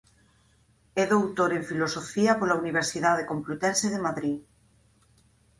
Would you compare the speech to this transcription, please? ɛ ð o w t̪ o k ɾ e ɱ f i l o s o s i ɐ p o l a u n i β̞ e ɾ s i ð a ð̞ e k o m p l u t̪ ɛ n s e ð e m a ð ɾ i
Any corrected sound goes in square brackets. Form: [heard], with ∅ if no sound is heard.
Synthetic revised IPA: ɛ ð o w t̪ o [∅] ɾ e ɱ f i l o s o [f] i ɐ p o l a u n i β̞ e ɾ s i ð a ð̞ e k o m p l u t̪ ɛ n s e ð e m a ð ɾ i